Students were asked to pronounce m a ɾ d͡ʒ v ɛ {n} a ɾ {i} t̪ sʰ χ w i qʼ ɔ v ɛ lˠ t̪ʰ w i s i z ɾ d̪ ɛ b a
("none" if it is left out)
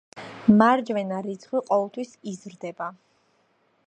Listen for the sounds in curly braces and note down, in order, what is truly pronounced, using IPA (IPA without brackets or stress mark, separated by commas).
n, i